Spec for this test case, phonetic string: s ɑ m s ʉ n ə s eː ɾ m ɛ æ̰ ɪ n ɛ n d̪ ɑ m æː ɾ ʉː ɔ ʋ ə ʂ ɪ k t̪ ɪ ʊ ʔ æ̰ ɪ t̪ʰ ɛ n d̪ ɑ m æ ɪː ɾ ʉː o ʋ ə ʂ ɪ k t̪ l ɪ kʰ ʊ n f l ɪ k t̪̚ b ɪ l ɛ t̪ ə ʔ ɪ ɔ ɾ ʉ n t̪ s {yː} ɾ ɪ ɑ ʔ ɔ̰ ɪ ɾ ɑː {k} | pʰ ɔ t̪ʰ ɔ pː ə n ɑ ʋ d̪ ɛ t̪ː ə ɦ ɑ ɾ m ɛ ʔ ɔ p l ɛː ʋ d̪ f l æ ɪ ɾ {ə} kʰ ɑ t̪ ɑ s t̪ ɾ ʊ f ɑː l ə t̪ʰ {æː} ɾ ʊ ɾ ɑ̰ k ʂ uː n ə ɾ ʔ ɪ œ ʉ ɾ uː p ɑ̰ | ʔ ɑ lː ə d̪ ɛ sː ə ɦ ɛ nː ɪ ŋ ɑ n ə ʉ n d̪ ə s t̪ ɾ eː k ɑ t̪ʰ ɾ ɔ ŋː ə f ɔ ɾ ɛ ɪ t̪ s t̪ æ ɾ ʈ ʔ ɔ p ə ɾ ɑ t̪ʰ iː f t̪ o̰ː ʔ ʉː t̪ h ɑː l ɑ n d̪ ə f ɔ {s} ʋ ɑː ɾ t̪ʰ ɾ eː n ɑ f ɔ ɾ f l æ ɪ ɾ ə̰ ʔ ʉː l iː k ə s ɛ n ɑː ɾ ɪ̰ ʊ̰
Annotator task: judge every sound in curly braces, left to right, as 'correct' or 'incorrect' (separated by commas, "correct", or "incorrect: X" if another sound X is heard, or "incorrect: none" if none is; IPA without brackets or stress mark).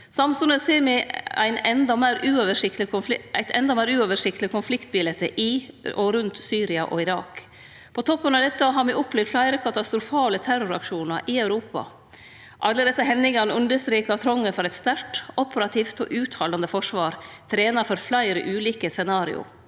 correct, correct, correct, incorrect: æ, incorrect: ʂ